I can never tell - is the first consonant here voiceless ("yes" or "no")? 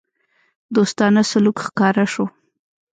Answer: no